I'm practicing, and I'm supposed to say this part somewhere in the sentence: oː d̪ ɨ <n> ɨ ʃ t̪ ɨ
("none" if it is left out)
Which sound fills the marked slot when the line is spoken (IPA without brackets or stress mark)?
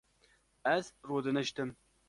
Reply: n